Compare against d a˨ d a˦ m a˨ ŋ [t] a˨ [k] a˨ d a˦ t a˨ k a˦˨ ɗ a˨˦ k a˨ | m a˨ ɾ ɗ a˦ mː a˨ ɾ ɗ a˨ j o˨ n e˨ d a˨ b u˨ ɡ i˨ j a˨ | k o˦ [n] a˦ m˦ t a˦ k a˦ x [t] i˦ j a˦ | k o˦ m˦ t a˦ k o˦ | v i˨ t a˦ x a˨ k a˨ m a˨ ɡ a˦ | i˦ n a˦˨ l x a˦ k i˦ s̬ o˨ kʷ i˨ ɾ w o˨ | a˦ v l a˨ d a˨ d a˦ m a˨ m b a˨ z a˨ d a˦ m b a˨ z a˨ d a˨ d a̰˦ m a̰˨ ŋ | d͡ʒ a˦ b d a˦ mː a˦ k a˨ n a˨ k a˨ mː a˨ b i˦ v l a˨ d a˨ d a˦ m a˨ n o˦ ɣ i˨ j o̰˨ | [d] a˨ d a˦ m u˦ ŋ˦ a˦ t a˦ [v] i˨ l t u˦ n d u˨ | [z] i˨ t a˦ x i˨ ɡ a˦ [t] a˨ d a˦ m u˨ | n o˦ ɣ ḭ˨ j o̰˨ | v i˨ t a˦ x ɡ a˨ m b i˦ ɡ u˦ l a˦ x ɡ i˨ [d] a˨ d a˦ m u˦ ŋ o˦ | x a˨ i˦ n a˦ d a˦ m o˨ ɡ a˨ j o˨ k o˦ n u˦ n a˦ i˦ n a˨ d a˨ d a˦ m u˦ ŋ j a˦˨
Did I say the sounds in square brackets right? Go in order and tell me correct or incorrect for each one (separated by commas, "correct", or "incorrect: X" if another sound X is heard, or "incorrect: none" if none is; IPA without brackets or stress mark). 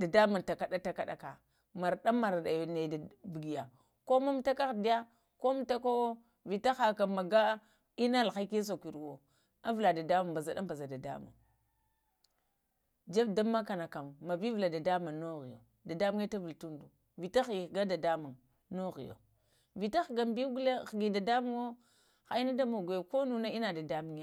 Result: correct, correct, incorrect: m, incorrect: d, correct, correct, incorrect: v, incorrect: d, correct